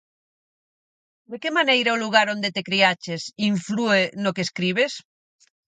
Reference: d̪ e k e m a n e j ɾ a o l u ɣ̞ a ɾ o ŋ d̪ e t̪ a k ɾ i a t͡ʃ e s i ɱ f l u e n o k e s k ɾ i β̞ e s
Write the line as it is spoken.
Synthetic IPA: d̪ e k e m a n e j ɾ a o l u ɣ̞ a ɾ o n d̪ e t̪ e k ɾ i a t͡ʃ e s i ɱ f l u e n o k e s k ɾ i β̞ e s